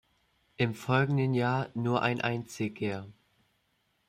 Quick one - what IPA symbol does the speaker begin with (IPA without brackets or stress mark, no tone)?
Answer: ʔ